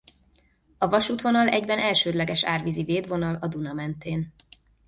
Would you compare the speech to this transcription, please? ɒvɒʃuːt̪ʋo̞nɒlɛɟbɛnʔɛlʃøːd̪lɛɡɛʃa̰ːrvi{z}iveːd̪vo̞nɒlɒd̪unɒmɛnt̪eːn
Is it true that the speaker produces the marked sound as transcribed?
yes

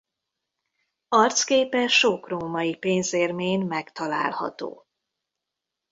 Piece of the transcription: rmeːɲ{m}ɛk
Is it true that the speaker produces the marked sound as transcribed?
yes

